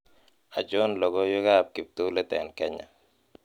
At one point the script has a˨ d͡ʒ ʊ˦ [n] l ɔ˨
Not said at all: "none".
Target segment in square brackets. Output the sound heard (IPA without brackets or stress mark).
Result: n